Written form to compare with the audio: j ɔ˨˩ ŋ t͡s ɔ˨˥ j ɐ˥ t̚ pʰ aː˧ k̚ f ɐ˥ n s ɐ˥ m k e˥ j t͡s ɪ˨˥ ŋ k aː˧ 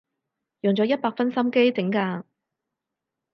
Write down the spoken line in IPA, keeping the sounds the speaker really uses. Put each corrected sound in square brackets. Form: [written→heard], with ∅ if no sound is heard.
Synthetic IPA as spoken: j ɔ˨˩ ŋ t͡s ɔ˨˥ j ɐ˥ t̚ [pʰ→p] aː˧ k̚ f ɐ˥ n s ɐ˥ m k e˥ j t͡s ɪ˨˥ ŋ k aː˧